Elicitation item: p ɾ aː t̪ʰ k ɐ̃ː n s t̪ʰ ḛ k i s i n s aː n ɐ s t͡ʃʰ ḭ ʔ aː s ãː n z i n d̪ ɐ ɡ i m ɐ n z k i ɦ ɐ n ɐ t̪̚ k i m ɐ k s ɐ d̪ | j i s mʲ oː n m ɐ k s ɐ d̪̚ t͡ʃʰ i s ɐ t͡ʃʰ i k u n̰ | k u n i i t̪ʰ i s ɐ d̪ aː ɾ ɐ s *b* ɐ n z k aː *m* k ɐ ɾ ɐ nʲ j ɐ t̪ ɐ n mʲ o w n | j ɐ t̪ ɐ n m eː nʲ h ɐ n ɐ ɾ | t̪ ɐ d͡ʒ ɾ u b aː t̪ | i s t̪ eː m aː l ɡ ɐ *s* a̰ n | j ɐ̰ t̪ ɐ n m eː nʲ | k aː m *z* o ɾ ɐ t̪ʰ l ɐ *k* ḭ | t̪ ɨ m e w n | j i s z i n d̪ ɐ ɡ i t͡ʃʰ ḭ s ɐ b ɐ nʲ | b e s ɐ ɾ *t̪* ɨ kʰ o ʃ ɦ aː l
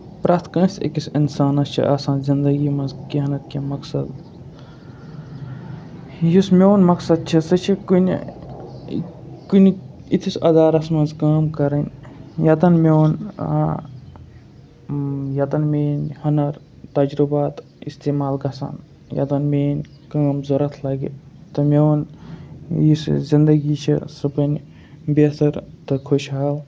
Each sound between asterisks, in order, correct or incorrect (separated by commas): incorrect, correct, correct, correct, incorrect, correct